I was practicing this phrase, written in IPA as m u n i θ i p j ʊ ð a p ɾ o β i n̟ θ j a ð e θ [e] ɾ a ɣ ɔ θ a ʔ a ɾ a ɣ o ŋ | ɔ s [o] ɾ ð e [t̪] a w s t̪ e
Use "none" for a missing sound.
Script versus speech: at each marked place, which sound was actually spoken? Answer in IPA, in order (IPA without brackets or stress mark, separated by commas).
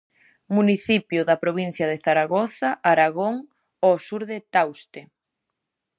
a, u, t̪